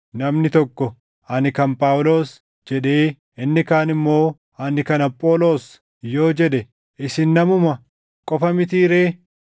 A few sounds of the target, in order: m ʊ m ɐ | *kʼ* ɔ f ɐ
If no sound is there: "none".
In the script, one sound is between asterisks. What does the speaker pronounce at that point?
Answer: kʼ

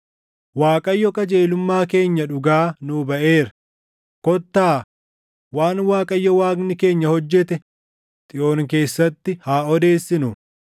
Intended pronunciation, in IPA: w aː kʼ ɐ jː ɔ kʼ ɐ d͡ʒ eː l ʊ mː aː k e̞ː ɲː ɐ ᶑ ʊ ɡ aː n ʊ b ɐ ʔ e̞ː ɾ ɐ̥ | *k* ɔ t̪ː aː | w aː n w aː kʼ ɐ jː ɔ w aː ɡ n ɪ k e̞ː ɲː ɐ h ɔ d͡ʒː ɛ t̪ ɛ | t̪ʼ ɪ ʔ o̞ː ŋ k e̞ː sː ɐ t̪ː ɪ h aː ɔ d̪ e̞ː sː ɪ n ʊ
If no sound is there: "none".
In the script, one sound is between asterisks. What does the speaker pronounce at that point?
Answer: k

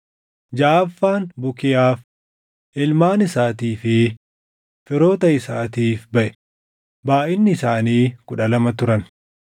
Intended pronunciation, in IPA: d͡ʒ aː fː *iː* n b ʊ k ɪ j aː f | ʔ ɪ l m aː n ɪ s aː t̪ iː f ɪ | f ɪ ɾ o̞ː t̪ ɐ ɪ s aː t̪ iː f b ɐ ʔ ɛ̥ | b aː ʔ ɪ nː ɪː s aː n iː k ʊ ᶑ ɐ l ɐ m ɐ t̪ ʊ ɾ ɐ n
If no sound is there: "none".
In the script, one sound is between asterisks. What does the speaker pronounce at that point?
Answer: aː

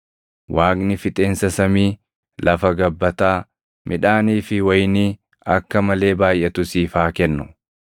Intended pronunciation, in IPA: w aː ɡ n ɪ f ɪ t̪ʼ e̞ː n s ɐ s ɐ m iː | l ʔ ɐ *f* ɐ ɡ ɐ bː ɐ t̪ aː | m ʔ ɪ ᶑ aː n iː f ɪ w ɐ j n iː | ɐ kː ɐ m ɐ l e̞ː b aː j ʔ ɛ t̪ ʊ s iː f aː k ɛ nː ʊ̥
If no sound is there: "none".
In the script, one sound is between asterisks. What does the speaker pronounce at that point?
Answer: f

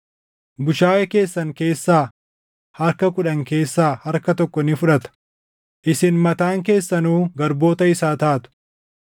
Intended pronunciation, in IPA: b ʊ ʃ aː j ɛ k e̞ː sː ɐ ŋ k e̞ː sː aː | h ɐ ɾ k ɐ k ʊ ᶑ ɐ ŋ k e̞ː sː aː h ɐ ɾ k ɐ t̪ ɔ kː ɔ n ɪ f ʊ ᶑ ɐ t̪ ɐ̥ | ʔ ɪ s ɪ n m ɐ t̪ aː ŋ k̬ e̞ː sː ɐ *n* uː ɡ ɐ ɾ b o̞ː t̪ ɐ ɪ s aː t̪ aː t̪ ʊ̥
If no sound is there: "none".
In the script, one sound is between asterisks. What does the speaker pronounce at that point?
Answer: n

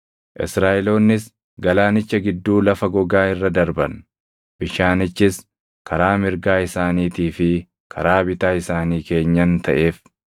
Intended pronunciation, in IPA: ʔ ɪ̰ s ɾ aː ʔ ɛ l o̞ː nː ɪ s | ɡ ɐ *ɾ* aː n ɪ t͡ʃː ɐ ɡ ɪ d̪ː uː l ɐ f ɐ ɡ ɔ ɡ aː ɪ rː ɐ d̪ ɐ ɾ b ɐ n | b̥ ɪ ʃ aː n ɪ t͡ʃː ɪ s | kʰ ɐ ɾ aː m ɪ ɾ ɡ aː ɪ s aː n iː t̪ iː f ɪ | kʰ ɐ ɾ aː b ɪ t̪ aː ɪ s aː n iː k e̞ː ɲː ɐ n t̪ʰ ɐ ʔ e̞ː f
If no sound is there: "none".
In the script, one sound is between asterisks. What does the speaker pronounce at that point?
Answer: l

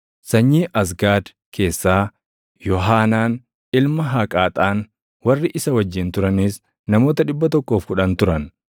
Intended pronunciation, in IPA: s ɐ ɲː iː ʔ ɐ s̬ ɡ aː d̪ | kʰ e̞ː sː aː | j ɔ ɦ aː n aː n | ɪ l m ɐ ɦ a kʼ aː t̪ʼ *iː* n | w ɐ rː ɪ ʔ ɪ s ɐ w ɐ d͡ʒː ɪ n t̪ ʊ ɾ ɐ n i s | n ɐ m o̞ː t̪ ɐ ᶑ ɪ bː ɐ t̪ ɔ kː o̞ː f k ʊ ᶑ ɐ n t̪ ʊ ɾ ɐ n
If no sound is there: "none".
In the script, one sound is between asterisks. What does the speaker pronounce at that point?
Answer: aː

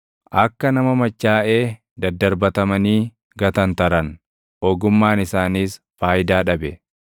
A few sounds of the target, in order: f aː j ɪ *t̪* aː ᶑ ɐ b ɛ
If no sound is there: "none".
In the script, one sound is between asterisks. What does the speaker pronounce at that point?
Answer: d̪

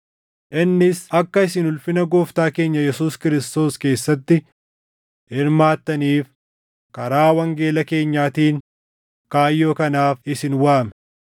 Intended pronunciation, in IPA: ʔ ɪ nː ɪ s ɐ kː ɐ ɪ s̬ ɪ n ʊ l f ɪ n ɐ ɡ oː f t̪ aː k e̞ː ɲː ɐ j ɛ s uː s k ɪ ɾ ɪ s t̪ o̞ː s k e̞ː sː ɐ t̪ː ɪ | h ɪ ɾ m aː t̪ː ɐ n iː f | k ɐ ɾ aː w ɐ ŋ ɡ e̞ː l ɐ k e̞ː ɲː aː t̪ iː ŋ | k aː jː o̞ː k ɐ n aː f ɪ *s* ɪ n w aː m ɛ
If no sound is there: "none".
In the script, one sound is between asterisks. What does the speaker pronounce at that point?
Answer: s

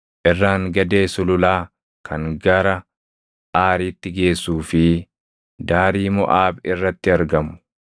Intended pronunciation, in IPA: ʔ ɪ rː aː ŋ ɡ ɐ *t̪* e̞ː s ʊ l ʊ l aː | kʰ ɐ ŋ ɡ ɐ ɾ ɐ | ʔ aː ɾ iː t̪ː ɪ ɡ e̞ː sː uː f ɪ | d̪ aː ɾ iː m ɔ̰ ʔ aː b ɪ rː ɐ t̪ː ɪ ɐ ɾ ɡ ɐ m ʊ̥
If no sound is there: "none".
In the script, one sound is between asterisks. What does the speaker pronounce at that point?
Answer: d̪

